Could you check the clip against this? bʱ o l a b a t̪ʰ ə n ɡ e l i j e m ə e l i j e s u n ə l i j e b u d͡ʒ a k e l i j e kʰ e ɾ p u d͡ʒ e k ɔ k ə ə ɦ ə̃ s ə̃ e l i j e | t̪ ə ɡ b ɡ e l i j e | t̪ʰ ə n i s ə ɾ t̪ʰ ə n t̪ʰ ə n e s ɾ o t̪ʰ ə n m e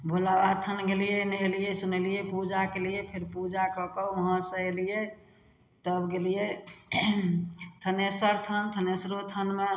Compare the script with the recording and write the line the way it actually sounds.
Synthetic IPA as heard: bʱ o l a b a t̪ʰ ə n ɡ e l i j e n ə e l i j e s u n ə l i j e p u d͡ʒ a k e l i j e pʰ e ɾ p u d͡ʒ a k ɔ k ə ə ɦ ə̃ s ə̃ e l i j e | t̪ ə b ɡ e l i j e | t̪ʰ ə n e s ə ɾ t̪ʰ ə n t̪ʰ ə n e s ɾ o t̪ʰ ə n m e